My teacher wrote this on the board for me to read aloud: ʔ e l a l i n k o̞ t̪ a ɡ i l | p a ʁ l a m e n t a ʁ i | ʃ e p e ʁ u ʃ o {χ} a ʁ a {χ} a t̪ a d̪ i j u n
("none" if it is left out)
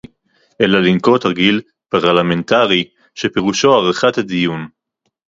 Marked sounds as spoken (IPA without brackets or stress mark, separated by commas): none, χ